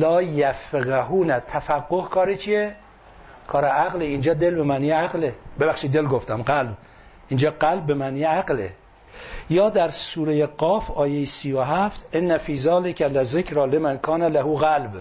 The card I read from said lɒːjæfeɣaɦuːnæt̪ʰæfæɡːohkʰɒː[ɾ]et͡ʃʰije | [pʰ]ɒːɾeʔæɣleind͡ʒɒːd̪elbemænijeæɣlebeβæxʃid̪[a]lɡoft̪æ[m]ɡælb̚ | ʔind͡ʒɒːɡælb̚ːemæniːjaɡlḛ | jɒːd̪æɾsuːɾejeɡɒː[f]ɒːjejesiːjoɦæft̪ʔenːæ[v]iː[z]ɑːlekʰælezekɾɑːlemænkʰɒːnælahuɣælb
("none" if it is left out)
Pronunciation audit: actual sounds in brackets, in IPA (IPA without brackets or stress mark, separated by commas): ɾ, kʰ, e, m, f, f, z